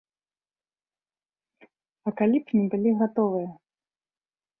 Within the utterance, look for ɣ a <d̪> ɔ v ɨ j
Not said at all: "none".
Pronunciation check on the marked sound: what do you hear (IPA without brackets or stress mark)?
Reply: t̪